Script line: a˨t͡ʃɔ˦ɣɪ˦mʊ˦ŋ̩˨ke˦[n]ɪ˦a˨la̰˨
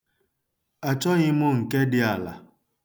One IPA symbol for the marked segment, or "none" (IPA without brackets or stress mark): d